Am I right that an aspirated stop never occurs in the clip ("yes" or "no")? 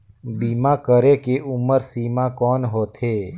yes